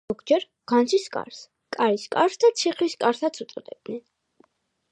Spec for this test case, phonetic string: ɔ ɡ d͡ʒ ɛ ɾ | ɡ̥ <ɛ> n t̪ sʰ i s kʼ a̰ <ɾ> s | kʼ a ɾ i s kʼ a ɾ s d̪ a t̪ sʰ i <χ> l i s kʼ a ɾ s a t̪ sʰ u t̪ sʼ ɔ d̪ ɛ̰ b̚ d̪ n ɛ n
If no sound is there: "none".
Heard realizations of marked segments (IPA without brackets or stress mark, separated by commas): a, ɾ, χ